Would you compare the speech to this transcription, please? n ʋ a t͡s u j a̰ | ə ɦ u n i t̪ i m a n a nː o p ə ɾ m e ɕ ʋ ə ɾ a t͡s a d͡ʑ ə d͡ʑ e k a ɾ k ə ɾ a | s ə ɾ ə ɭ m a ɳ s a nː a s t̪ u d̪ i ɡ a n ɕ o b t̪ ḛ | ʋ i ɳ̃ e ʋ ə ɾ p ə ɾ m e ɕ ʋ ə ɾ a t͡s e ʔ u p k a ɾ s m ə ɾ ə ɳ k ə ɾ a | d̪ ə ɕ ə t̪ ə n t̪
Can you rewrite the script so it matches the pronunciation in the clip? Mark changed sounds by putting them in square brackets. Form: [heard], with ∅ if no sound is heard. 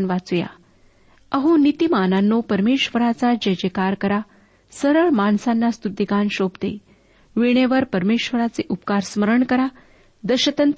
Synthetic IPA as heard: n ʋ a t͡s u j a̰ | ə ɦ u n i t̪ i m a n a nː o p ə ɾ m e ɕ ʋ ə ɾ a t͡s a d͡ʑ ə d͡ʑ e k a ɾ k ə ɾ a | s ə ɾ ə ɭ m a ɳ s a nː a s t̪ u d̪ i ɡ a n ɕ o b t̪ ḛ | ʋ i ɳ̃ e ʋ ə ɾ p ə ɾ m e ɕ ʋ ə ɾ a t͡s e ʔ u p k a ɾ s m ə ɾ ə ɳ k ə ɾ a | d̪ ə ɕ ə t̪ ə n t̪